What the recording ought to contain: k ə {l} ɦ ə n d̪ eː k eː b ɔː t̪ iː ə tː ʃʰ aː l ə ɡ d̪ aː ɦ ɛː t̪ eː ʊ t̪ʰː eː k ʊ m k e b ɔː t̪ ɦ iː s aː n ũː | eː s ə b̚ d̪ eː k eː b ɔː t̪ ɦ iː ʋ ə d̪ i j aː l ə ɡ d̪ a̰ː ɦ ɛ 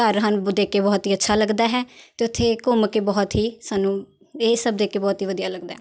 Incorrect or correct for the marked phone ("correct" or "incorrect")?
incorrect